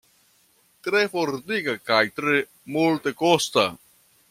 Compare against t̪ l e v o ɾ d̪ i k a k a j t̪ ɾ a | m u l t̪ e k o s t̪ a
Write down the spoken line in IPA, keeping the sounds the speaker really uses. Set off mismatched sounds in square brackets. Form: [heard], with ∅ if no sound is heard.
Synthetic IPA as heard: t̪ [ɾ] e [f] o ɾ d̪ i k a k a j t̪ ɾ [e] | m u l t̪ e k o s t̪ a